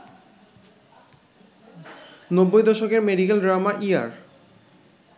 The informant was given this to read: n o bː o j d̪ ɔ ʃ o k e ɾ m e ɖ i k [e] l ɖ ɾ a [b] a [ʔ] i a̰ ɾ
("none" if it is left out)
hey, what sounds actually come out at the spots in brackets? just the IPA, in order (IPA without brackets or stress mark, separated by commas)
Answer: e, m, ʔ